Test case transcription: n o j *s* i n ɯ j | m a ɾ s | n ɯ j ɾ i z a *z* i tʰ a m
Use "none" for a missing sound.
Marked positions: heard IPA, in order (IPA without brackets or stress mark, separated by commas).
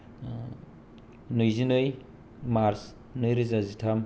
z, z